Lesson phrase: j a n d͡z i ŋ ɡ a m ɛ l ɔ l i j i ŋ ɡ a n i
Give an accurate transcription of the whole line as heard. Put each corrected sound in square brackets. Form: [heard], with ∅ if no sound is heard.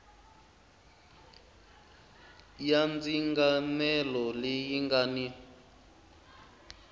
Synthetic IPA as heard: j a n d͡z i ŋ ɡ a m ɛ l ɔ l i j i ŋ ɡ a n i